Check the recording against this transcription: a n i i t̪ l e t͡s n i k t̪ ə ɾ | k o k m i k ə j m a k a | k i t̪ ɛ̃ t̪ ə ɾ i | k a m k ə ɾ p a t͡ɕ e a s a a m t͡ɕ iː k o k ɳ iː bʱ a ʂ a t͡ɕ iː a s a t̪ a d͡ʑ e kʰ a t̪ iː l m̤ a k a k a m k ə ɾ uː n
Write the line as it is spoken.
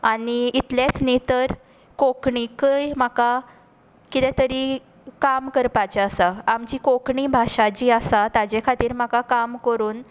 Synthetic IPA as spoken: a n i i t̪ l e t͡s n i t̪ ə ɾ | k o k ɳ i k ə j m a k a | k i t̪ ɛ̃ t̪ ə ɾ i | k a m k ə ɾ p a t͡ɕ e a s a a m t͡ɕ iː k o k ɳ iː bʱ a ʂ a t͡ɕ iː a s a t̪ a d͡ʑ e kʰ a t̪ iː ɾ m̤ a k a k a m k ə ɾ uː n